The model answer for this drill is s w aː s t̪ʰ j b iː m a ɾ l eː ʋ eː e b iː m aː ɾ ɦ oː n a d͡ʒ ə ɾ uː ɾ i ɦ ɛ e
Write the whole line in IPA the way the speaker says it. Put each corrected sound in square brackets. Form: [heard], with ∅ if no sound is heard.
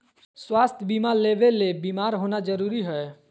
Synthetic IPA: s w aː s t̪ʰ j b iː m a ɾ l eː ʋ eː e b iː m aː ɾ ɦ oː n a d͡ʒ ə ɾ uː ɾ i ɦ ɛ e